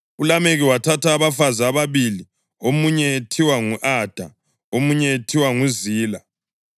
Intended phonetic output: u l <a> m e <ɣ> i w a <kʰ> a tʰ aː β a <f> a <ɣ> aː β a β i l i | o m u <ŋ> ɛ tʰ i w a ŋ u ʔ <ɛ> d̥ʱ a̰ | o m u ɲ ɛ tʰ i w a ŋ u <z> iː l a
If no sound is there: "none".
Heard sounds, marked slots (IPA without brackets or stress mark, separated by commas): a, ɣ, tʰ, f, z, ɲ, a, z